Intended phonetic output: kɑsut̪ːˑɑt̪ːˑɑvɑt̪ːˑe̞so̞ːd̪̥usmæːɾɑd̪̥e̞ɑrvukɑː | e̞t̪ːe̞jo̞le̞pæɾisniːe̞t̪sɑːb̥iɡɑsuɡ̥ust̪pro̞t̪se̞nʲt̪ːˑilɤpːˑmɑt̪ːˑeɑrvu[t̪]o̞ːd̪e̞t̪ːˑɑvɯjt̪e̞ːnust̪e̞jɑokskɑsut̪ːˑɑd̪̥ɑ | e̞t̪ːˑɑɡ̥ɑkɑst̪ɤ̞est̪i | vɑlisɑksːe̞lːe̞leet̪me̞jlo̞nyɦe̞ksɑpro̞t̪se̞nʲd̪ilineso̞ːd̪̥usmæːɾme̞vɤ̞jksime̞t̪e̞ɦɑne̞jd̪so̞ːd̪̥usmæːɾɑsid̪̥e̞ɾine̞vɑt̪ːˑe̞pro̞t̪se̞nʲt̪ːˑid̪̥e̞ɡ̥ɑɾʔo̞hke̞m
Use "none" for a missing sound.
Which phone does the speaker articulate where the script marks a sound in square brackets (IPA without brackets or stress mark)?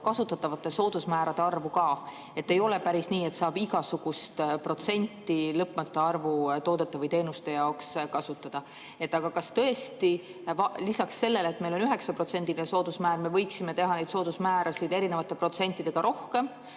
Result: t̪